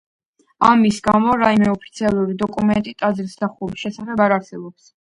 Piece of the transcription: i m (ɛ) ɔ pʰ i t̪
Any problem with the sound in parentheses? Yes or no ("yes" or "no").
no